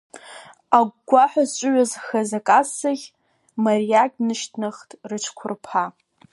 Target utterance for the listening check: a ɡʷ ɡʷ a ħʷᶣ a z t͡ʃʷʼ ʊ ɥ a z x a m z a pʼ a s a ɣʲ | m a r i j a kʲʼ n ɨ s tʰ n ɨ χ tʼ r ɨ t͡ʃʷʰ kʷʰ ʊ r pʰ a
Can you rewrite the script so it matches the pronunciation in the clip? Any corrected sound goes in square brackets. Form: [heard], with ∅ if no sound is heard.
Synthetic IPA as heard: a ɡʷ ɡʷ a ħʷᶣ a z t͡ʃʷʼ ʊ ɥ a z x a [∅] z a [kʼ] a s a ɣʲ | m a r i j a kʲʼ n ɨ [ʃ] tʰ n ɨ χ tʼ r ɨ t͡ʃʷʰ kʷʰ ʊ r pʰ a